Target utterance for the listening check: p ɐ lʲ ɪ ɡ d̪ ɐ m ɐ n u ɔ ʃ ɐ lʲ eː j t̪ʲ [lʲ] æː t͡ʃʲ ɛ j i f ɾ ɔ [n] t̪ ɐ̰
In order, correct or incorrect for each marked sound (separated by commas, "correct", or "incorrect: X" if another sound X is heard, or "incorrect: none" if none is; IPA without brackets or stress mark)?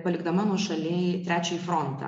incorrect: ɾʲ, correct